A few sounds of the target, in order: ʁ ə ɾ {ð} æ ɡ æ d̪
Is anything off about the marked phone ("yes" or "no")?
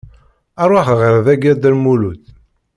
no